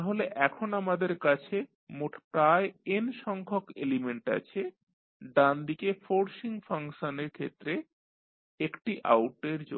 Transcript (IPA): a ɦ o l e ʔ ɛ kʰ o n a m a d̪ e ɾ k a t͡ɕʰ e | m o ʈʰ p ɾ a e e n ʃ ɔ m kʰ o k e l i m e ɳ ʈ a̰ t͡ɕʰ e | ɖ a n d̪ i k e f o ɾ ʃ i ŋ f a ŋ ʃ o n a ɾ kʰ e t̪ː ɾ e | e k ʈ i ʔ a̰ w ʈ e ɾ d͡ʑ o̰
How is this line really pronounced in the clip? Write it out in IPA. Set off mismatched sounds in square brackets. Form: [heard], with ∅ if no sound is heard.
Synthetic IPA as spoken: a ɦ o l e ʔ ɛ kʰ o n a m a d̪ e ɾ k a t͡ɕʰ e | m o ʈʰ p ɾ a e e n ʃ ɔ [ŋ] kʰ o k e l i m e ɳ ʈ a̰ t͡ɕʰ e | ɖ a n d̪ i k e f o ɾ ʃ i ŋ f a ŋ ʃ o n [e] ɾ kʰ e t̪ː ɾ e | e k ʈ i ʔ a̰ w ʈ e ɾ d͡ʑ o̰